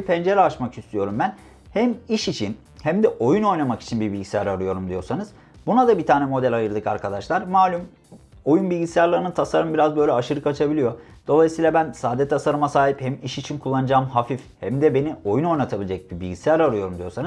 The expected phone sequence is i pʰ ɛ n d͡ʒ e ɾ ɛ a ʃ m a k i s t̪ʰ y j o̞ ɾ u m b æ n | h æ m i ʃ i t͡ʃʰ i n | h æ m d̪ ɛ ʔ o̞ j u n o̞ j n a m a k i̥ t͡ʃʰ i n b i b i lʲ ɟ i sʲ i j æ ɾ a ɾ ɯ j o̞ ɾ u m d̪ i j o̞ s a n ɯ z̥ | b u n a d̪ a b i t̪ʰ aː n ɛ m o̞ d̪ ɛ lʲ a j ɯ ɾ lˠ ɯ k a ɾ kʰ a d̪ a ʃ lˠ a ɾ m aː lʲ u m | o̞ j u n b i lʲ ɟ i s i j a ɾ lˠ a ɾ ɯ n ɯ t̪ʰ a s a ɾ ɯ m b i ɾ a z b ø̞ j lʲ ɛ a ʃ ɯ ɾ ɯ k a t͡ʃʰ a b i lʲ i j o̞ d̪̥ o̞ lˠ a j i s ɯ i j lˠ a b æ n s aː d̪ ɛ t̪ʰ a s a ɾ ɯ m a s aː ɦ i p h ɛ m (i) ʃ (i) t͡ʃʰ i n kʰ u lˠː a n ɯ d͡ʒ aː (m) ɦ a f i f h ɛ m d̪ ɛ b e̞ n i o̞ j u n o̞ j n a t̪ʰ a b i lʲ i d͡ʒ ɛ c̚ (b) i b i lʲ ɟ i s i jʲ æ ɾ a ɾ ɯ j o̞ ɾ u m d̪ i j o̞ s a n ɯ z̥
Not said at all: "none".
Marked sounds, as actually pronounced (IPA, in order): i, i, m, b

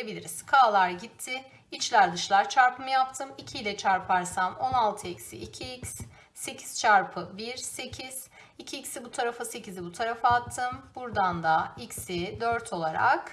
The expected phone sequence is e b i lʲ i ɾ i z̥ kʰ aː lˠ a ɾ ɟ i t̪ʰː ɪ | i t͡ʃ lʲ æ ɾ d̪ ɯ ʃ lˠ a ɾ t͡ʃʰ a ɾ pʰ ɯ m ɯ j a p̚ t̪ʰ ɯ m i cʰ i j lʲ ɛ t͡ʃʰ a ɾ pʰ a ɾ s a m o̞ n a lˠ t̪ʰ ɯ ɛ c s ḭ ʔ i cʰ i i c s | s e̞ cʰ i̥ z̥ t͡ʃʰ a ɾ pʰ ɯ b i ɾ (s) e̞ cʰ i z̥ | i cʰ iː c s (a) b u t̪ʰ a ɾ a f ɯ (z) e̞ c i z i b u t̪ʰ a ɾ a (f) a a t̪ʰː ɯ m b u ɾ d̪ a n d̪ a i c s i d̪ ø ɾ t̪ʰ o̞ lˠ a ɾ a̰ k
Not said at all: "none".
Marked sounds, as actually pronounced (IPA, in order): s, i, s, f

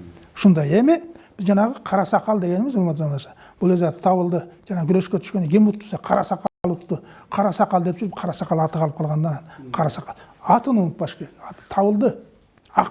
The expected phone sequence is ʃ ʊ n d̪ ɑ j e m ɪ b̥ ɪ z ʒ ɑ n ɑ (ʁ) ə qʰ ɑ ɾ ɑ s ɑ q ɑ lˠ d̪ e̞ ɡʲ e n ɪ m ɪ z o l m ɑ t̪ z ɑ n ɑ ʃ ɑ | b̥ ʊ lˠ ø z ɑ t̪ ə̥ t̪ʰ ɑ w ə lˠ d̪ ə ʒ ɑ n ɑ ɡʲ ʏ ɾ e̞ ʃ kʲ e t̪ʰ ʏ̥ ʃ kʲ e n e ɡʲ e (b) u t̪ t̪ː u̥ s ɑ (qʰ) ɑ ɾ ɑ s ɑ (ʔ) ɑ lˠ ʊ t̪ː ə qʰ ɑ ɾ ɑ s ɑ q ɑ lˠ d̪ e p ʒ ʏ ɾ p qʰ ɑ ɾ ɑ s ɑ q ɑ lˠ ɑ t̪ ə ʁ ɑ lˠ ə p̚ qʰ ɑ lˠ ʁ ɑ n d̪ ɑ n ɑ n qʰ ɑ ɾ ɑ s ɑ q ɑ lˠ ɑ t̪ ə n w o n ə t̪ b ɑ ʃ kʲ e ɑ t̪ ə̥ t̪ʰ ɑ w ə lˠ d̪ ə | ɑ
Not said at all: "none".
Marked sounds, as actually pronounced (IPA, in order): ʁ, m, qʰ, q

